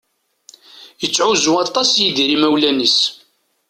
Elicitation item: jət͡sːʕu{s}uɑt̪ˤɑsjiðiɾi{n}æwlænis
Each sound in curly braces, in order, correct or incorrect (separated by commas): incorrect, incorrect